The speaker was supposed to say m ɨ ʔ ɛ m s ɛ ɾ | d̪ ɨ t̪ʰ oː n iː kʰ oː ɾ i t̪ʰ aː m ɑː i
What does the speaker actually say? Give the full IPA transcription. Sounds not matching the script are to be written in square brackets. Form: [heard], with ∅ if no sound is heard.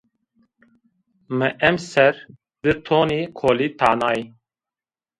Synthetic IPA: m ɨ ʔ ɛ m s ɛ ɾ | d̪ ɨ t̪ʰ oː n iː kʰ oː [l] i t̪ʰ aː [n] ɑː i